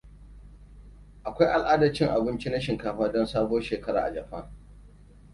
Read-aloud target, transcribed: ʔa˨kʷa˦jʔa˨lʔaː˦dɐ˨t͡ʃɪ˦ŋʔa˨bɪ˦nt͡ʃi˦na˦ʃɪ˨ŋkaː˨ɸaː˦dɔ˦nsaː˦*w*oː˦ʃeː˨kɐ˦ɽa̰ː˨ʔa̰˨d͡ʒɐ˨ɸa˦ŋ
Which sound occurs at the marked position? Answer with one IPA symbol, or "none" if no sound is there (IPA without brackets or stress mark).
b